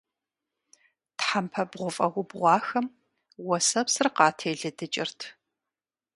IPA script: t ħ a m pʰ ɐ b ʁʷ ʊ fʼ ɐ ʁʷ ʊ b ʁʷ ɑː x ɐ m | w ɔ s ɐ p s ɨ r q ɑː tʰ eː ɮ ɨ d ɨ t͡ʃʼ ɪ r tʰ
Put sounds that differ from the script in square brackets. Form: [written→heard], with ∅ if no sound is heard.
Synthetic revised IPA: t ħ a m pʰ ɐ b ʁʷ ʊ fʼ ɐ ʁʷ ʊ b ʁʷ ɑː x ɐ m | w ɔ s ɐ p s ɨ r q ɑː tʰ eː ɮ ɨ d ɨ t͡ʃʼ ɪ r tʰ

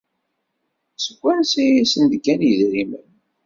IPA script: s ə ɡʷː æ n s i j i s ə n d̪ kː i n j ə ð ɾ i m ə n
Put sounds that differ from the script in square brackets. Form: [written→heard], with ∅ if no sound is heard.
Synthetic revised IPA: s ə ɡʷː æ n s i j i s ə n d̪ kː [i→æ] n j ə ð ɾ i m ə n

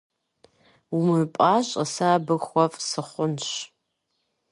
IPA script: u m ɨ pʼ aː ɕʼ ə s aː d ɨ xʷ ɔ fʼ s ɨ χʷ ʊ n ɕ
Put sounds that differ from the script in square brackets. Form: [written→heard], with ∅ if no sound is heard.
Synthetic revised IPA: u m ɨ pʼ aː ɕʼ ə s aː [d→b] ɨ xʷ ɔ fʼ s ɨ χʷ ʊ n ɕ

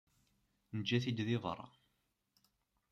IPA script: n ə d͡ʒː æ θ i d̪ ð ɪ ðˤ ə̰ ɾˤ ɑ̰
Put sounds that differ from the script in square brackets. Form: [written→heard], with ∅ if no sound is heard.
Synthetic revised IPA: n ə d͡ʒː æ θ i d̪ ð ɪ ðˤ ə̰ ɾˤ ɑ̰

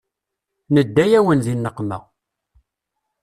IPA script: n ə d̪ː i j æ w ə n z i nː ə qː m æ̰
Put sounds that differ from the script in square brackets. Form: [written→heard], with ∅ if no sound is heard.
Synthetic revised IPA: n ə d̪ː [i→æ] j æ w ə n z i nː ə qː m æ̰

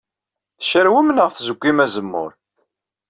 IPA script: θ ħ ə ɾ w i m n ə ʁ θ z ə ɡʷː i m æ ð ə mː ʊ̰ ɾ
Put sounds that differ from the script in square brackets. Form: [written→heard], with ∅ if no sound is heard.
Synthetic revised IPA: θ [ħ→ʃ] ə ɾ w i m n ə ʁ θ z ə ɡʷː i m æ [ð→z] ə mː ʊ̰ ɾ

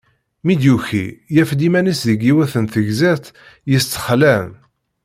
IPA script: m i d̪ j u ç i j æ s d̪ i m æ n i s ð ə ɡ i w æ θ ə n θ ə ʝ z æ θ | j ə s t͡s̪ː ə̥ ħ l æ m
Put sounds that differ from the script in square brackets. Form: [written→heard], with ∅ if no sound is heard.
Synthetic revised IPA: m i d̪ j u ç i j æ [s→f] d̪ i m æ n i s ð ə ɡ i w æ θ ə n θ ə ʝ z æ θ | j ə s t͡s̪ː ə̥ [ħ→χ] l æ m

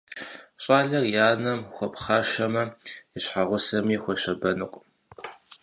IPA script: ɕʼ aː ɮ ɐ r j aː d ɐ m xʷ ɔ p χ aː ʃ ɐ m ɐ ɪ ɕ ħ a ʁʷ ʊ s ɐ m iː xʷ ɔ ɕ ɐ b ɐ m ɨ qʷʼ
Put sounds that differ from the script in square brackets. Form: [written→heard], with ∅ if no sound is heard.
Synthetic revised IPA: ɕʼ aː ɮ ɐ r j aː [d→n] ɐ m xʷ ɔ p χ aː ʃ ɐ m ɐ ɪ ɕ ħ a ʁʷ ʊ s ɐ m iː xʷ ɔ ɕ ɐ b ɐ [m→n] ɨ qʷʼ

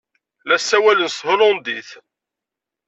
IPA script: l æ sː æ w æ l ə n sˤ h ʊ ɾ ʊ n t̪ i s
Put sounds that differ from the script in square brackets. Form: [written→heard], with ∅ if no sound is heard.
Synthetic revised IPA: l æ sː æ w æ l ə n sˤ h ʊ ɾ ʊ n [t̪→d̪] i [s→θ]

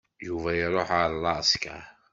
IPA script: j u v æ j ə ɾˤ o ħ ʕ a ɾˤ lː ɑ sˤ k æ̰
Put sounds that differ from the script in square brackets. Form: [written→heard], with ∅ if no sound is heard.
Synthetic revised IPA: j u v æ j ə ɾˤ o ħ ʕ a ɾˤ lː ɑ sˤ k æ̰

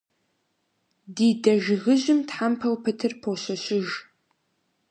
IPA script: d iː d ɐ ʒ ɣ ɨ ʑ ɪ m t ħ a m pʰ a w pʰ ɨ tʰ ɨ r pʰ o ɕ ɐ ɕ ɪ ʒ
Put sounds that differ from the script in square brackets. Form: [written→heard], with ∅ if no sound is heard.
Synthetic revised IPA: d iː d ɐ ʒ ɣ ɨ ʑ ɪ m t ħ a m pʰ [a→ɐ] w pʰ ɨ tʰ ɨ r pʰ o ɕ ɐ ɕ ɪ ʒ

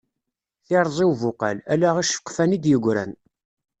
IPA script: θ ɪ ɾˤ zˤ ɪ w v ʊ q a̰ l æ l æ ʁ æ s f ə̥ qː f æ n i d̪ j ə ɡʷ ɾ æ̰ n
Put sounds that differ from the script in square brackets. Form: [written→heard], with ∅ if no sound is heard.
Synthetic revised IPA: θ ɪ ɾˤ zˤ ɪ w v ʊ q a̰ l æ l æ ʁ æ [s→ʃ] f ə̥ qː f æ n i d̪ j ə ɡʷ ɾ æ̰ n

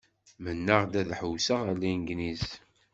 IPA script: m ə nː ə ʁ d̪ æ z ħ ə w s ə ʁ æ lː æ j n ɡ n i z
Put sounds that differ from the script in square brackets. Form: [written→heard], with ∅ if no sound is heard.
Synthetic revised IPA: m ə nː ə ʁ d̪ æ [z→ð] ħ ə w s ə ʁ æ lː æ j n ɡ n i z

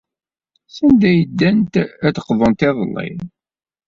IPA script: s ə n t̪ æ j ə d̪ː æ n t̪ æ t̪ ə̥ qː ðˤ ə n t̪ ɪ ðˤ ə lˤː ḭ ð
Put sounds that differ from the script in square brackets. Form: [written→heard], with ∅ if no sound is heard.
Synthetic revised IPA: s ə n [t̪→d̪] æ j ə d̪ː æ n t̪ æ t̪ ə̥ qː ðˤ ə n t̪ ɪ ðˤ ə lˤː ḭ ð

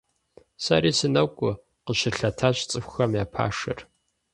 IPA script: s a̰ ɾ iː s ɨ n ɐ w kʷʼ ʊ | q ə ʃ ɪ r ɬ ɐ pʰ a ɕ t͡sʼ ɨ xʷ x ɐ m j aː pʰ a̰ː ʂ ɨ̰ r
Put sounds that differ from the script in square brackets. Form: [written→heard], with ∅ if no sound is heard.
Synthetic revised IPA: s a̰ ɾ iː s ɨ n ɐ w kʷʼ ʊ | q ə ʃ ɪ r ɬ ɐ [pʰ→tʰ] a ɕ t͡sʼ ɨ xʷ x ɐ m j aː pʰ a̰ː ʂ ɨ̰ r

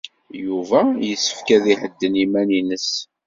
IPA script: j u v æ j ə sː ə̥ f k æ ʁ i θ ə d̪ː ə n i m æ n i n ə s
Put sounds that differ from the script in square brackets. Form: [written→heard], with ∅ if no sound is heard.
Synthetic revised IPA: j u v æ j ə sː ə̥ f k æ [ʁ→ð] i [θ→ħ] ə d̪ː ə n i m æ n i n ə s

